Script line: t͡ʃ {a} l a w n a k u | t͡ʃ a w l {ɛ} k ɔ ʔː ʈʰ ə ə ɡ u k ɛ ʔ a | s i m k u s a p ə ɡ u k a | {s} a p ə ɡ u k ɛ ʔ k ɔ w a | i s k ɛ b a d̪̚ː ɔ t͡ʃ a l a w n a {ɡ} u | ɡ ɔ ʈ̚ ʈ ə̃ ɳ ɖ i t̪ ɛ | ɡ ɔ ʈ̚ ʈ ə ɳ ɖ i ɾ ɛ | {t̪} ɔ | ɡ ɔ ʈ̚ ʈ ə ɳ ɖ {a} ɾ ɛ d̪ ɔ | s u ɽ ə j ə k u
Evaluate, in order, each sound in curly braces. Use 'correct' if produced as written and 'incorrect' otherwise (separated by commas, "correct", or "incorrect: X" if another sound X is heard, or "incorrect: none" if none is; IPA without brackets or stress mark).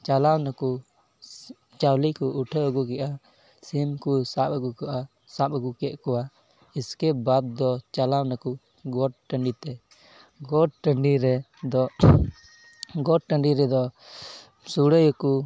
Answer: correct, incorrect: i, correct, incorrect: k, incorrect: d̪, incorrect: i